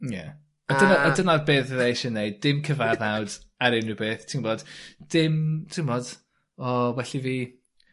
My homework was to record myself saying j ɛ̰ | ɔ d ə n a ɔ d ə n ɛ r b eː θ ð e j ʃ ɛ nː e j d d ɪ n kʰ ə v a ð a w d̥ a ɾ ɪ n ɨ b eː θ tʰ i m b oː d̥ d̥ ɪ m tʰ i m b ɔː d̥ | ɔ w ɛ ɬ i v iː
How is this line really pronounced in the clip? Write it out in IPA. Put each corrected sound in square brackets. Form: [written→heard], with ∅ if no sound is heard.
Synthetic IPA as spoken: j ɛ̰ | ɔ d ə n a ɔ d ə n [ɛ→a] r b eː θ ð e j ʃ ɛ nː e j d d ɪ [n→m] kʰ ə v a ð a w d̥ a ɾ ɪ n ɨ b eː θ tʰ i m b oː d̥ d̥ ɪ m tʰ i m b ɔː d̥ | ɔ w ɛ ɬ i v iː